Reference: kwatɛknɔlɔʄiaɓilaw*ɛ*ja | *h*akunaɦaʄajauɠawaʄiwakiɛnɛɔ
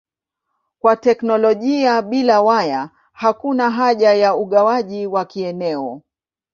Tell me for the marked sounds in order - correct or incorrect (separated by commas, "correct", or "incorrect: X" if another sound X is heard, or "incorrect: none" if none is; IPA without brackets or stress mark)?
incorrect: a, correct